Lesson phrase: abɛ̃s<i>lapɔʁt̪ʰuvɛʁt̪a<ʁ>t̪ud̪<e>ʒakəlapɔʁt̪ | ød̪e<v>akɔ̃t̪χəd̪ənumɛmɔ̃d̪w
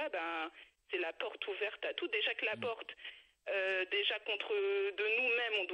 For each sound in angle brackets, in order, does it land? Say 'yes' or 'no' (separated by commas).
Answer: no, no, yes, no